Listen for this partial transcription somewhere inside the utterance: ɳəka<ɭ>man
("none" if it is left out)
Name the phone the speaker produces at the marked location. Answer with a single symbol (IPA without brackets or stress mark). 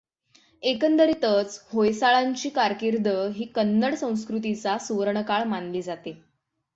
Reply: ɭ